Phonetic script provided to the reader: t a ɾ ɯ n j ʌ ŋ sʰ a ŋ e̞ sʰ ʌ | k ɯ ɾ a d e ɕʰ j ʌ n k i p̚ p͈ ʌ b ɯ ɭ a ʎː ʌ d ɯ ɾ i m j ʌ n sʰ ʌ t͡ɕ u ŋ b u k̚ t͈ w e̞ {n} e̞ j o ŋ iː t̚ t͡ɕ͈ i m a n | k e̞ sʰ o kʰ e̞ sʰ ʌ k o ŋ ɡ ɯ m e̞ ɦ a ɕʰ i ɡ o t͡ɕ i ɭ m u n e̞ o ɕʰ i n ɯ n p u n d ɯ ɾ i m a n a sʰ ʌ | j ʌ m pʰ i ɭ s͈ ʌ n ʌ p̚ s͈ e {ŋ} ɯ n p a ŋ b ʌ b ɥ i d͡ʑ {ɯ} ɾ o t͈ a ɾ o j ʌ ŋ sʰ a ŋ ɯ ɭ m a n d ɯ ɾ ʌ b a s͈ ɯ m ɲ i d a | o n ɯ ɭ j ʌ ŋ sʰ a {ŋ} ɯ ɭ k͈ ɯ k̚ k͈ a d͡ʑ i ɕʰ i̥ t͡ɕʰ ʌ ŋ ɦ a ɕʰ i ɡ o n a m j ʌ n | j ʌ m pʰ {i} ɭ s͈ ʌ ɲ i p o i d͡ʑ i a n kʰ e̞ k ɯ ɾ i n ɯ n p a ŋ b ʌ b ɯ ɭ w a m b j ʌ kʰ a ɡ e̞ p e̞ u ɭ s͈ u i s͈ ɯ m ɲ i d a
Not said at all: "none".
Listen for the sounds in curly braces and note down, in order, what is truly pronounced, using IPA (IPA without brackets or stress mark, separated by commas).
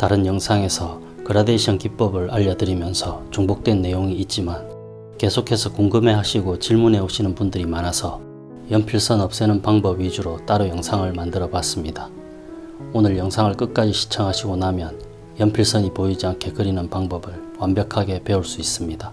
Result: nː, n, u, ŋ, i